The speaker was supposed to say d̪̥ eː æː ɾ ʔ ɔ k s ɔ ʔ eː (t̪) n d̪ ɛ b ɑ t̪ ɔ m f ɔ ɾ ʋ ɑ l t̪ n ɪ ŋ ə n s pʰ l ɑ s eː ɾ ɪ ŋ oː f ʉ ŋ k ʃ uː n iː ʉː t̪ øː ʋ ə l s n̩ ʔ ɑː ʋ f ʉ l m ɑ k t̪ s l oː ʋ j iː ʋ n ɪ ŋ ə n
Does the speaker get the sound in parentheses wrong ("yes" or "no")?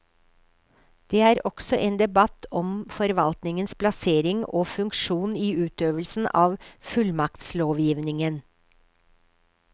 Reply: yes